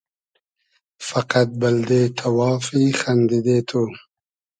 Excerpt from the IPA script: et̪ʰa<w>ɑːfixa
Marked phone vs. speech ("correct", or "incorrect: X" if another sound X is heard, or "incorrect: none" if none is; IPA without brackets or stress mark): correct